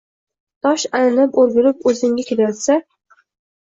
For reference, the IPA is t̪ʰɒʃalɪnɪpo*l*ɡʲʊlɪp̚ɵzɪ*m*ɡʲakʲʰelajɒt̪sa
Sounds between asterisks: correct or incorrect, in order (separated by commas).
incorrect, incorrect